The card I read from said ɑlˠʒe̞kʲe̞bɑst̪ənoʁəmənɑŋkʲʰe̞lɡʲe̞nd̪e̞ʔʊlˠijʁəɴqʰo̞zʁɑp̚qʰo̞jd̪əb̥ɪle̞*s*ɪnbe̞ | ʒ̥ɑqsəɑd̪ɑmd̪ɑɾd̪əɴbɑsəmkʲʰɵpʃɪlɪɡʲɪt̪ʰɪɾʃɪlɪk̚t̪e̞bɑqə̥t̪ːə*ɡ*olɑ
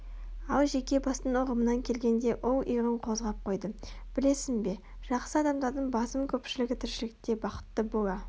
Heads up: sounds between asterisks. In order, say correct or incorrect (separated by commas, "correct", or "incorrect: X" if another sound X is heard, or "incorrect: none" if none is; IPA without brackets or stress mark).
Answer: correct, incorrect: b